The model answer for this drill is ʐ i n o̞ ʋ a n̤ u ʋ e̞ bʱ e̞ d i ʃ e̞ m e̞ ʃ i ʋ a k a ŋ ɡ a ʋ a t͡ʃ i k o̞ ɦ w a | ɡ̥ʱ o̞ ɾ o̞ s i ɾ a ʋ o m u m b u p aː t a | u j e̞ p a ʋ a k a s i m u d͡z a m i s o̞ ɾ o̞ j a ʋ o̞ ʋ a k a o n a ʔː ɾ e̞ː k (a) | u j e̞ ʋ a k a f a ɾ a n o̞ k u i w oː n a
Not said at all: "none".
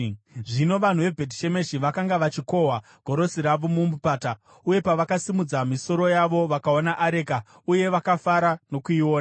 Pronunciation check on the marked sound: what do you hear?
a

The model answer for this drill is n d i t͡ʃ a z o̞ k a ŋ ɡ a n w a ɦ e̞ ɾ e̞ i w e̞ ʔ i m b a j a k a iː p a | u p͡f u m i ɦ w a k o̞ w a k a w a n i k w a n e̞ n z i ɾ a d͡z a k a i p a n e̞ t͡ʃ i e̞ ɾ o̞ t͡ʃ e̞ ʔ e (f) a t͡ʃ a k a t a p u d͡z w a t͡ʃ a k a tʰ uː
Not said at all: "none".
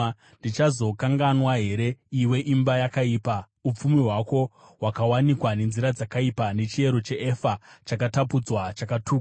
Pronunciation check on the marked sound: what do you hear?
f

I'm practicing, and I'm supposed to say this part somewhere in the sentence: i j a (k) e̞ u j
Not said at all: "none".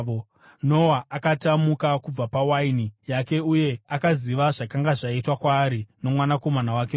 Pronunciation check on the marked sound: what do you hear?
k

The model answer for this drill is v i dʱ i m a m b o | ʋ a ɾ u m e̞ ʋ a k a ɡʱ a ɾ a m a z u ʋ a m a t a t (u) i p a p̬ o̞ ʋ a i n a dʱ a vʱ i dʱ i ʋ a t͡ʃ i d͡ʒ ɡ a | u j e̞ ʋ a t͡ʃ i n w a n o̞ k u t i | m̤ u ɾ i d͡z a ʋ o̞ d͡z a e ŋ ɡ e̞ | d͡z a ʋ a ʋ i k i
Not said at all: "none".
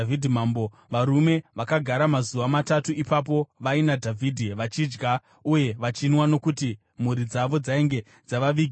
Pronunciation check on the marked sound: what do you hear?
u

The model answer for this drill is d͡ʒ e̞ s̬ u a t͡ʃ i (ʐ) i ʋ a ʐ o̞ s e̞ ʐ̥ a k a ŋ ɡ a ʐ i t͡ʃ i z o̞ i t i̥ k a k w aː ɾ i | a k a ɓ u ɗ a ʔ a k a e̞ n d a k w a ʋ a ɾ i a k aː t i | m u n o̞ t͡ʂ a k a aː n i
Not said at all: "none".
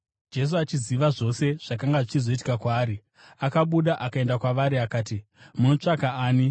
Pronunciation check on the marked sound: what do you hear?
z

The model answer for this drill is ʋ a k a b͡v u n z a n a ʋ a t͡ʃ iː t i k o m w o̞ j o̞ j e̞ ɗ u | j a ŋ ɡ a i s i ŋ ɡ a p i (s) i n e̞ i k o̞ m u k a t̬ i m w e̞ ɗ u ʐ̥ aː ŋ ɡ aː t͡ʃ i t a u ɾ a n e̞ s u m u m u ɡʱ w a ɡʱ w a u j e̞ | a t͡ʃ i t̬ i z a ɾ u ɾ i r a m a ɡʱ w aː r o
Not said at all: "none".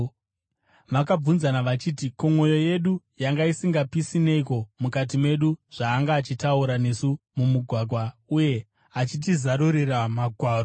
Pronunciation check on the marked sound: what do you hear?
s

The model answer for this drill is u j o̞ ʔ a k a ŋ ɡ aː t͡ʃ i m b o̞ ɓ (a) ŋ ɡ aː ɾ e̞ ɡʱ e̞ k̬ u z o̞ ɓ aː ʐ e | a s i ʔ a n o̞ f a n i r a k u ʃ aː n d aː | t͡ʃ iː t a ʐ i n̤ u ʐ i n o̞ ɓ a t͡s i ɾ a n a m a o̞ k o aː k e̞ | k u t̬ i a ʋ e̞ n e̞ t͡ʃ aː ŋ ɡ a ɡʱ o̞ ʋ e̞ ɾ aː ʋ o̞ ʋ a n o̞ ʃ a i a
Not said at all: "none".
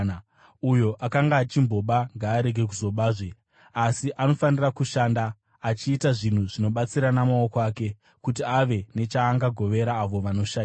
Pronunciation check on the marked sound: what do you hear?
a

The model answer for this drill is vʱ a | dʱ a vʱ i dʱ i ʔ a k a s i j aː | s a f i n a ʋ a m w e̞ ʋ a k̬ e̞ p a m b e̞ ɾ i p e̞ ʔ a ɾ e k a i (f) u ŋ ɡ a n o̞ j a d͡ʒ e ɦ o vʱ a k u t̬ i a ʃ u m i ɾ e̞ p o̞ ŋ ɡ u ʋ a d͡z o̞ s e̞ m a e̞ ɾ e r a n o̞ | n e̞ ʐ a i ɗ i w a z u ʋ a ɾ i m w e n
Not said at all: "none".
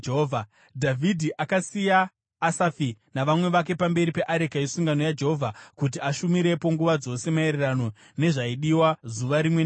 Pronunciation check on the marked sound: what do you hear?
s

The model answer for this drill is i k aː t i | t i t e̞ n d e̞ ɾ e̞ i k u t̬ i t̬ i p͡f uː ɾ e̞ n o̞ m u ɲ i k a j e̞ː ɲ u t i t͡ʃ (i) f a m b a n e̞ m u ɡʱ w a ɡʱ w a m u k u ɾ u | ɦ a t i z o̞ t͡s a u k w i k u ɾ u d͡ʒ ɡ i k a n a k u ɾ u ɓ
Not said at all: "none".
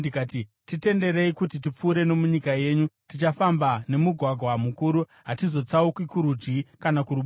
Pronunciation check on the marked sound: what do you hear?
a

